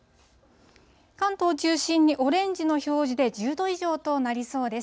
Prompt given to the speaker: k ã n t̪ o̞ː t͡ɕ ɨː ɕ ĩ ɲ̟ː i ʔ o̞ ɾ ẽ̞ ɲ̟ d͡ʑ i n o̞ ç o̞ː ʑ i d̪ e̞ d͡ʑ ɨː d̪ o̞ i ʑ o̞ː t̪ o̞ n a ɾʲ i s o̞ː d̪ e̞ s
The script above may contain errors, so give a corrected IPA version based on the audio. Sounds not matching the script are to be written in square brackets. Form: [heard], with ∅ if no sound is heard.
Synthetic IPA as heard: k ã n t̪ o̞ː t͡ɕ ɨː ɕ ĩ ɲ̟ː i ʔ o̞ ɾ ẽ̞ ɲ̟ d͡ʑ i n o̞ ç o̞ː ʑ i d̪ e̞ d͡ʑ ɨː d̪ o̞ i ʑ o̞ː t̪ o̞ n a ɾʲ i s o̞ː d̪ e̞ s